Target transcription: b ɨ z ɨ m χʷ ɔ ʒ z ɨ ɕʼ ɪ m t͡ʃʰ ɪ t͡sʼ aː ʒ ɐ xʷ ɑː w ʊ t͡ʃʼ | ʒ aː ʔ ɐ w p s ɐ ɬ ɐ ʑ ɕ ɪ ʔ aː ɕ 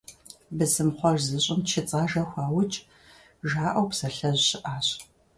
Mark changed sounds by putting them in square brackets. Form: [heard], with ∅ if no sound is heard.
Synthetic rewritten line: b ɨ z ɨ m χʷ ɔ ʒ z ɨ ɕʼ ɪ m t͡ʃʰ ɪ t͡sʼ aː ʒ ɐ xʷ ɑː w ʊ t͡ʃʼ | ʒ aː ʔ ɐ w p s ɐ ɬ ɐ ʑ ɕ ɪ ʔ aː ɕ

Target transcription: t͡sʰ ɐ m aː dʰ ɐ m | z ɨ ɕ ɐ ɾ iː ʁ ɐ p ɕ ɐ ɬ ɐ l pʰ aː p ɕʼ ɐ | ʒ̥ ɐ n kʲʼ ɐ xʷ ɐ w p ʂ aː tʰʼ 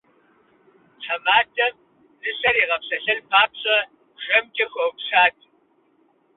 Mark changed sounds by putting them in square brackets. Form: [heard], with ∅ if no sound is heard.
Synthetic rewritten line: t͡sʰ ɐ m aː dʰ ɐ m | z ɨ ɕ ɐ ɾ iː ʁ ɐ p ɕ ɐ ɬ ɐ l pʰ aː p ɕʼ ɐ | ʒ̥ ɐ [m] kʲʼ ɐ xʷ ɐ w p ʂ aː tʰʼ

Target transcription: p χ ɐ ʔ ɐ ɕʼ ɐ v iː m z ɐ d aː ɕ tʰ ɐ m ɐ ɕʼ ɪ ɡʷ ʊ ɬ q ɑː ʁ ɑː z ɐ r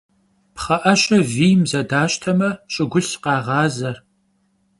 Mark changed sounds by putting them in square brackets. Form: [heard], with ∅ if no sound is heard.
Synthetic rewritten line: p χ ɐ ʔ ɐ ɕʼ ɐ v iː m z ɐ d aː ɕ tʰ ɐ m ɐ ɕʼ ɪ ɡʷ ʊ ɬ q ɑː ʁ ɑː z ɐ r

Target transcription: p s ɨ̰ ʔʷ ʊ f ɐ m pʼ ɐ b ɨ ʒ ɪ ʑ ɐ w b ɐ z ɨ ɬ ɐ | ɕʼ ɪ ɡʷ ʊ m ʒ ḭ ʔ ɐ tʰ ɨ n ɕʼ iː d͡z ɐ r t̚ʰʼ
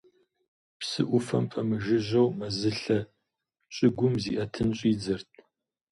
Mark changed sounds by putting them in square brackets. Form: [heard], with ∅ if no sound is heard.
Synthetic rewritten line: p s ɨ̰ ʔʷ ʊ f ɐ m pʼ ɐ [m] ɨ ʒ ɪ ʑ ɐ w [m] ɐ z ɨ ɬ ɐ | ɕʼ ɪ ɡʷ ʊ m [z] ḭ ʔ ɐ tʰ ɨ n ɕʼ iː d͡z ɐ r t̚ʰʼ

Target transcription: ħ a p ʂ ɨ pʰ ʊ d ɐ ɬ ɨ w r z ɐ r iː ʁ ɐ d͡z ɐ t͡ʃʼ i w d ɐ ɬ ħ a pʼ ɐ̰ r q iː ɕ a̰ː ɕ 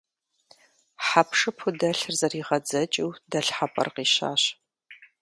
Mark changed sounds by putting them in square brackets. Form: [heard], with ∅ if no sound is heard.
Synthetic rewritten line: ħ a p ʂ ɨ pʰ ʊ d ɐ ɬ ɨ [∅] r z ɐ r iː ʁ ɐ d͡z ɐ t͡ʃʼ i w d ɐ ɬ ħ a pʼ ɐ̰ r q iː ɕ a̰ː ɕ

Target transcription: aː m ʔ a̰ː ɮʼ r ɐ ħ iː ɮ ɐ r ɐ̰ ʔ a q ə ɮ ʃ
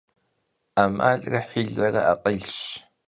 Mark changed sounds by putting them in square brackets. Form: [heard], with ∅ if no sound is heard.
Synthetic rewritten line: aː m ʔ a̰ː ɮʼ r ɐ ħ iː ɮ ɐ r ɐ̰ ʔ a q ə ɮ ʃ

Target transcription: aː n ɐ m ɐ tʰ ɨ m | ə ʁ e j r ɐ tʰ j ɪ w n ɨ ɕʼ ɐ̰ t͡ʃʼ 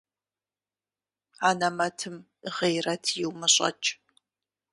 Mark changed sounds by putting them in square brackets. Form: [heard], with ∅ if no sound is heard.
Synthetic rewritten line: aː n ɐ m ɐ tʰ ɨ m | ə ʁ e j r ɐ tʰ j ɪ w [m] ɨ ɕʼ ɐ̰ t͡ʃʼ

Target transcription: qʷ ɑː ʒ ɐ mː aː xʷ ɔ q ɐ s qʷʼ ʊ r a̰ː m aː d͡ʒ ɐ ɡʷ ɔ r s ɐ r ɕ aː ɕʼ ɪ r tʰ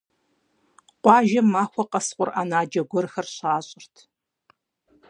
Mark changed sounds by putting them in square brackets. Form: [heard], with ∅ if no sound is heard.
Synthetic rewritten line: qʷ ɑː ʒ ɐ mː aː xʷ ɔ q ɐ s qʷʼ ʊ r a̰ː [n] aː d͡ʒ ɐ ɡʷ ɔ r [x] ɐ r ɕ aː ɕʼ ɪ r tʰ

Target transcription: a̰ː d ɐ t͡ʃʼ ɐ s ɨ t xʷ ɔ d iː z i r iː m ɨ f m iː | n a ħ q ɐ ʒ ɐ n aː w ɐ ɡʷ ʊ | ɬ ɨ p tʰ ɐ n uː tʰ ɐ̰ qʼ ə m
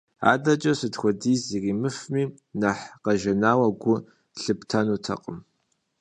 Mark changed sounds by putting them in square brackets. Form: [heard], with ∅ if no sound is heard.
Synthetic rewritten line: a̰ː d ɐ t͡ʃʼ ɐ s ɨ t xʷ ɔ d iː z i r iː m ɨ f m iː | n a ħ q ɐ ʒ ɐ n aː w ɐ ɡʷ ʊ | ɬ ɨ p tʰ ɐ n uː tʰ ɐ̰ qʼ ə m

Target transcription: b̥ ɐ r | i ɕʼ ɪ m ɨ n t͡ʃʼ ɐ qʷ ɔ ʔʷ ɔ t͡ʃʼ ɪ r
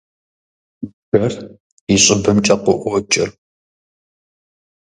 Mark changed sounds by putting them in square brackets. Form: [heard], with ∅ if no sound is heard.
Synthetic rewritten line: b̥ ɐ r | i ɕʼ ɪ [b] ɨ [m] t͡ʃʼ ɐ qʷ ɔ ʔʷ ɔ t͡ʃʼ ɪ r

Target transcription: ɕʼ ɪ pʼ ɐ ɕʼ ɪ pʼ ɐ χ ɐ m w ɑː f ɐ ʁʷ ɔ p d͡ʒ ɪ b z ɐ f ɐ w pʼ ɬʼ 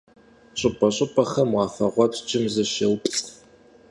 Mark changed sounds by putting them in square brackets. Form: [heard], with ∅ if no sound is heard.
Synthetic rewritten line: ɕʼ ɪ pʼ ɐ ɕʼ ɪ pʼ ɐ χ ɐ m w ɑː f ɐ ʁʷ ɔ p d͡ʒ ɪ [m] z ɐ [ʃ] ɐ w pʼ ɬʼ

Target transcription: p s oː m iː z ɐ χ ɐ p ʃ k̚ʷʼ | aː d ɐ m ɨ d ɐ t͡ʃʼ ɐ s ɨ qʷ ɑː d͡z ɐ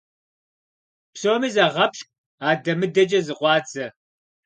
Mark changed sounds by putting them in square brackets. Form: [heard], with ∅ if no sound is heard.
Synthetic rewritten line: p s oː m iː z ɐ [ʁ] ɐ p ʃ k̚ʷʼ | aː d ɐ m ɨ d ɐ t͡ʃʼ ɐ [z] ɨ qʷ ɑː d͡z ɐ

